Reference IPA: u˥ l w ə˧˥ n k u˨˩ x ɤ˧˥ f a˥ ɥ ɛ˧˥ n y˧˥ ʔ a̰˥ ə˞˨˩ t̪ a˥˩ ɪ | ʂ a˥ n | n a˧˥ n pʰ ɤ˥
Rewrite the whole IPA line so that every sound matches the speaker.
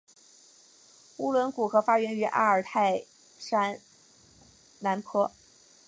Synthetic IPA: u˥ l w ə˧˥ n k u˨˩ x ɤ˧˥ f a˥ ɥ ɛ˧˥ n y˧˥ ʔ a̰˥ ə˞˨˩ t̪ʰ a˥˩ ɪ | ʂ a˥ n | n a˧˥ n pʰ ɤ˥